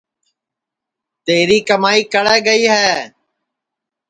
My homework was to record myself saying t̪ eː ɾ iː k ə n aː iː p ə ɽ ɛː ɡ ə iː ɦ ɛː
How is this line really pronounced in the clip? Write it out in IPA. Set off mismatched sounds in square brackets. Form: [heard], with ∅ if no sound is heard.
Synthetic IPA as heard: t̪ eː ɾ iː k ə [m] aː iː [k] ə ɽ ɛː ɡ ə iː ɦ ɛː